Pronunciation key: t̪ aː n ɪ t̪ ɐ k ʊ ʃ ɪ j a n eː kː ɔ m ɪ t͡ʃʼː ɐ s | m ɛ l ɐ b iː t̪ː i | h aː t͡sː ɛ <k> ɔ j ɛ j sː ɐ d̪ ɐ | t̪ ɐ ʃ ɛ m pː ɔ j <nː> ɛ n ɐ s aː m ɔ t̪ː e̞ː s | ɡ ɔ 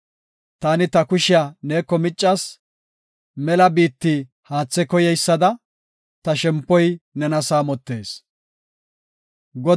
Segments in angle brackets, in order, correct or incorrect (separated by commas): correct, incorrect